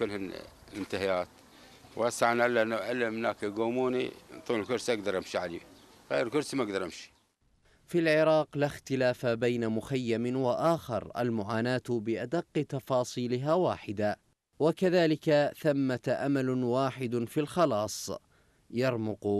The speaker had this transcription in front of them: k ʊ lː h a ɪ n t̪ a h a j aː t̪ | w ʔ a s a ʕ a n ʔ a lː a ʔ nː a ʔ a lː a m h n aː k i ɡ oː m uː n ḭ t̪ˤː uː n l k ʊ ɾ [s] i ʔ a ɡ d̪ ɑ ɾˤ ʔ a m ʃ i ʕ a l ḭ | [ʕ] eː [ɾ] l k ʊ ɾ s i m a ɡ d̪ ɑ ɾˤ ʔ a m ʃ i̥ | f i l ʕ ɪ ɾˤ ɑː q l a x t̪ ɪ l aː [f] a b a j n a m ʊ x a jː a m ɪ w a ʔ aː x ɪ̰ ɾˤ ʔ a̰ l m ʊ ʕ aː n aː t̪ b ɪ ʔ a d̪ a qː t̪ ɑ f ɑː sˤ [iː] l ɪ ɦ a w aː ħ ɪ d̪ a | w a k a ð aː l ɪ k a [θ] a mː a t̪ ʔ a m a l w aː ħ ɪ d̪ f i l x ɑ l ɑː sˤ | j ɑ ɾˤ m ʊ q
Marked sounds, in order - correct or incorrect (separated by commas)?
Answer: correct, incorrect, correct, correct, correct, correct